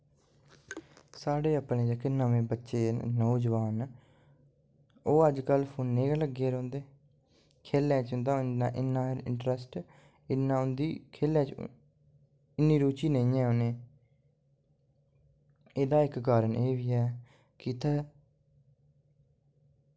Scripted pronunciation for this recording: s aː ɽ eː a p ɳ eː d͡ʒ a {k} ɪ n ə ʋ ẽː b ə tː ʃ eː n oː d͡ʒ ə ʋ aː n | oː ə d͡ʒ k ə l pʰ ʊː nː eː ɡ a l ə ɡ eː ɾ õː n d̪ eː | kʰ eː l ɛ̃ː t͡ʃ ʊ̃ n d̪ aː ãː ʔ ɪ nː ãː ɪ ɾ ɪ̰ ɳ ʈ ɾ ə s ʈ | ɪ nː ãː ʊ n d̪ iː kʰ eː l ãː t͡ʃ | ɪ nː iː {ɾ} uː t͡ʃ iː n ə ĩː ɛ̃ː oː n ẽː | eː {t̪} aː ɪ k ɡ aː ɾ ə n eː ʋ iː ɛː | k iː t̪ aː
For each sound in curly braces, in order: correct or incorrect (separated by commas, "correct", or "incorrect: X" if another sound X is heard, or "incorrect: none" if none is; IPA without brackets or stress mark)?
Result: correct, correct, incorrect: d̪